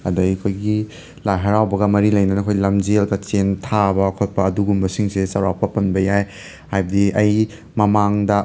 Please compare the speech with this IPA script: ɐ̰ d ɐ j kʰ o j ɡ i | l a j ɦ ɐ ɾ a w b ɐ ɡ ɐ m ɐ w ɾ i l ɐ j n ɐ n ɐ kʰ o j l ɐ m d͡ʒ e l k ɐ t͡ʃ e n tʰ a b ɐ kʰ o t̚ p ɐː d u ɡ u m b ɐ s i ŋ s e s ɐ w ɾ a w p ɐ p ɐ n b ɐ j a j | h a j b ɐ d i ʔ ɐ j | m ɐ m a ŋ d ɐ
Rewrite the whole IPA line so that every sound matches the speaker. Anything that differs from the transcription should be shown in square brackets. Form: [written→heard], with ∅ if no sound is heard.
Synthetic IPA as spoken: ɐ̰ d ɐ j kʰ o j ɡ i | l a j ɦ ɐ ɾ a w b ɐ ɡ ɐ m ɐ [w→∅] ɾ i l ɐ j n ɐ n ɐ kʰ o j l ɐ m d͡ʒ e l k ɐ t͡ʃ e n tʰ a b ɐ kʰ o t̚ p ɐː d u ɡ u m b ɐ s i ŋ s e s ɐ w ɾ a w p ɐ p ɐ n b ɐ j a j | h a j b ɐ d i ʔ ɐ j | m ɐ m a ŋ d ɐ